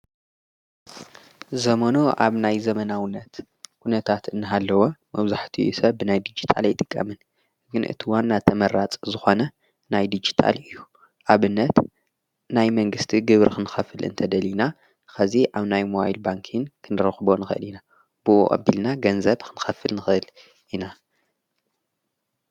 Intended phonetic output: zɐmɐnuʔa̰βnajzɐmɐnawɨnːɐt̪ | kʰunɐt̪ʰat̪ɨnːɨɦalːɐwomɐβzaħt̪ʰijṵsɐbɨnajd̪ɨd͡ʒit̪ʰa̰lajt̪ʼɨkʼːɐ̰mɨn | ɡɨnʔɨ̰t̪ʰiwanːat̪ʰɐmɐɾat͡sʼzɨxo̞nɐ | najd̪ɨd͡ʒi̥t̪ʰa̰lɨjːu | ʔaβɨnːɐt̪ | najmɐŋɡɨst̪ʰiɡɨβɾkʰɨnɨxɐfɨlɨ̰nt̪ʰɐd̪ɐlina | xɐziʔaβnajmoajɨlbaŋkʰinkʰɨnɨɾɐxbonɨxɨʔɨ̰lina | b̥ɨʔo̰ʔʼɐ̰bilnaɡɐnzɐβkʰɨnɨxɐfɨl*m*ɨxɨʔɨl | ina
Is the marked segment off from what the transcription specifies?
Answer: yes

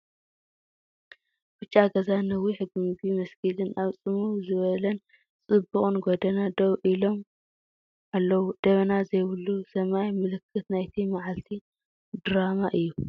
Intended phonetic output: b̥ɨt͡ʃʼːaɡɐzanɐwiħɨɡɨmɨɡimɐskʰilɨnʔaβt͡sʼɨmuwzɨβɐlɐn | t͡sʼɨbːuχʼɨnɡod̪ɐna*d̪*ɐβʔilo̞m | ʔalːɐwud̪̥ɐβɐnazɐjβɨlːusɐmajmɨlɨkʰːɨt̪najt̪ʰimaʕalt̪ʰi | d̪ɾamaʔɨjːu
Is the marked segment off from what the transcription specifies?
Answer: no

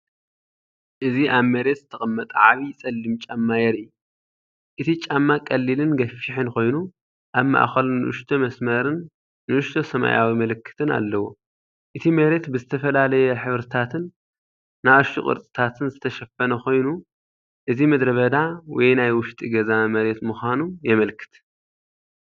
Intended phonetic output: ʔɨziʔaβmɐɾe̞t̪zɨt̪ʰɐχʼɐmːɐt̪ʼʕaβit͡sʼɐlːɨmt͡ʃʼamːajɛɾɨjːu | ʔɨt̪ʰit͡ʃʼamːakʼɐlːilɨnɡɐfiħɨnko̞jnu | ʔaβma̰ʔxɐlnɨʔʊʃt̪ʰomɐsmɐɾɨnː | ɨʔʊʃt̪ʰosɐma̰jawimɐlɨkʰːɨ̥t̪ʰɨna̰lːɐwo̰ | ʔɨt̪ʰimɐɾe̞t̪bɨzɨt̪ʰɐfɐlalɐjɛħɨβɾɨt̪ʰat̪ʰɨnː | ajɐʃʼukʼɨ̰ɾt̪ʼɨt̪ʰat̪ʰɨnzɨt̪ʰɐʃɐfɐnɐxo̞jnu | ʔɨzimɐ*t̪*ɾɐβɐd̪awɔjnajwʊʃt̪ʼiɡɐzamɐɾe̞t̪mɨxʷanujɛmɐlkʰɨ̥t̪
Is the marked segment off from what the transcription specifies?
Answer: yes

